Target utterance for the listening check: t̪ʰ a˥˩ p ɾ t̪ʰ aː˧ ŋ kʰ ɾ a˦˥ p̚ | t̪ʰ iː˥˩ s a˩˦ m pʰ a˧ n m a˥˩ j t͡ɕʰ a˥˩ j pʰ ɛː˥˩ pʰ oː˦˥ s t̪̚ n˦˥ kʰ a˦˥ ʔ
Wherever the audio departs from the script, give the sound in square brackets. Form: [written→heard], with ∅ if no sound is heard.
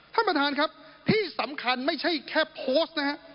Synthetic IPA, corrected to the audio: t̪ʰ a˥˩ p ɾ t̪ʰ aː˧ [ŋ→n] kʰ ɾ a˦˥ p̚ | t̪ʰ iː˥˩ s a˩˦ m [pʰ→kʰ] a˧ n m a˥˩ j t͡ɕʰ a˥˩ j [pʰ→kʰ] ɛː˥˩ pʰ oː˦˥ s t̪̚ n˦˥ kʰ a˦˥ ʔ